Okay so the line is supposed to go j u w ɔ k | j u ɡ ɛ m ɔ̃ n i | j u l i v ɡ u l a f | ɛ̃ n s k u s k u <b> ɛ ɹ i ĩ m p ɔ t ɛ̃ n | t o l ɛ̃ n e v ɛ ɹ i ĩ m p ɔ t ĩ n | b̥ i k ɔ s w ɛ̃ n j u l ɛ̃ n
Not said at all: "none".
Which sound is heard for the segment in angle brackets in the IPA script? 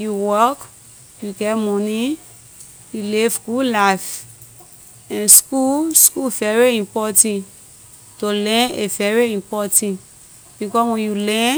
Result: v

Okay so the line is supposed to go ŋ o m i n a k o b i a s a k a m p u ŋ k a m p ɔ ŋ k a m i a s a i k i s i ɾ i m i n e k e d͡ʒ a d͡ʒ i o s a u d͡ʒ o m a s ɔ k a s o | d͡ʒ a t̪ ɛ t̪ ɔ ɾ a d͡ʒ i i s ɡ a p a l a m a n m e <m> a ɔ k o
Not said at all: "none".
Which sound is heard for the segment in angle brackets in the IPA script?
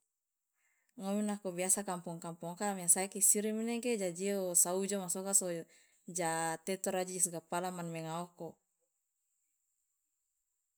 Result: ŋ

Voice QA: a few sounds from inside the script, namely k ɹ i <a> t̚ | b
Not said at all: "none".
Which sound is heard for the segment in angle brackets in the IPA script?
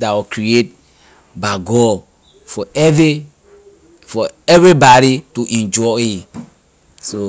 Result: e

